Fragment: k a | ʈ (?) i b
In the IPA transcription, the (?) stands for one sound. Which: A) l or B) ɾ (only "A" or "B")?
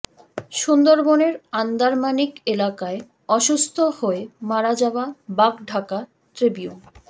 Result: B